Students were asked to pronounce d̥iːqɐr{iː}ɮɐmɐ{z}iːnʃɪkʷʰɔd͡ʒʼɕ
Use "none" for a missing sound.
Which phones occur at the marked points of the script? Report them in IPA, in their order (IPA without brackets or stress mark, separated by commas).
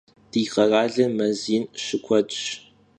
aː, z